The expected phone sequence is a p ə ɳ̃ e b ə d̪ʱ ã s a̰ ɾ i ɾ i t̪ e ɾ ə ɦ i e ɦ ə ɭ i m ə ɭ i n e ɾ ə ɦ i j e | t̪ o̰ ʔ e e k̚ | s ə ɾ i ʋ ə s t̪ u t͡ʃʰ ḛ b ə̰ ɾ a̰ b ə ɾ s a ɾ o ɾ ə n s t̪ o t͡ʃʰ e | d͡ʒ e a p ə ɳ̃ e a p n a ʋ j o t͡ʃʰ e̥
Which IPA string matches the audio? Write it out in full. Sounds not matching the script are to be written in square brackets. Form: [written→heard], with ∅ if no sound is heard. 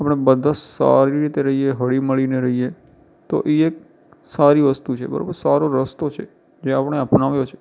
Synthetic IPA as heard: a p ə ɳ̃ e b ə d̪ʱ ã s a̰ ɾ i ɾ i t̪ e ɾ ə ɦ i e ɦ ə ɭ i m ə ɭ i n e ɾ ə ɦ i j e | t̪ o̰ ʔ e e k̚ | s [ə→a] ɾ i ʋ ə s t̪ u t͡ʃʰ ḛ b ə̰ ɾ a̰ b ə ɾ s a ɾ o ɾ ə [n→∅] s t̪ o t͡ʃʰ e | d͡ʒ e a p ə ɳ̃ e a p n a ʋ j o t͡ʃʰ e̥